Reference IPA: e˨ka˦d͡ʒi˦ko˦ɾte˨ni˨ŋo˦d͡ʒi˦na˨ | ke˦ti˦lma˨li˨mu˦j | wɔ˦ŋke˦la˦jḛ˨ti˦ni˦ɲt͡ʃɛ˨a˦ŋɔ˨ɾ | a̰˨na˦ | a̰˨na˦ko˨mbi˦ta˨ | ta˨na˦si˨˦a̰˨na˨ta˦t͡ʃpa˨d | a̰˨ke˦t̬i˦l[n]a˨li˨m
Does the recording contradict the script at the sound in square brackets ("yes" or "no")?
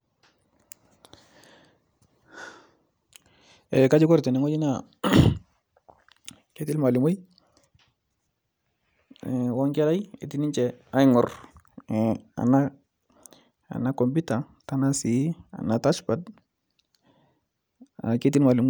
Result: yes